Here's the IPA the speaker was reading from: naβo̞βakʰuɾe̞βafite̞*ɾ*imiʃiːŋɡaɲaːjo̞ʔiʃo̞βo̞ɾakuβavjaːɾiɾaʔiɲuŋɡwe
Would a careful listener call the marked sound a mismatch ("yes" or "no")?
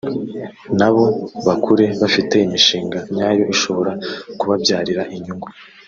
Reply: yes